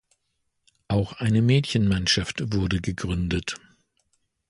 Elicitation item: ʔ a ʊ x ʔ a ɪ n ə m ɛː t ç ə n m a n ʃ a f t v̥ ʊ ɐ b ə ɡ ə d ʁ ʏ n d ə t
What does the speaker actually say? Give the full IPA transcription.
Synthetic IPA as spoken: ʔ a ʊ x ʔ a ɪ n ə m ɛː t ç ə n m a n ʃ a f t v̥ ʊ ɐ d ə ɡ ə ɡ ʁ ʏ n d ə t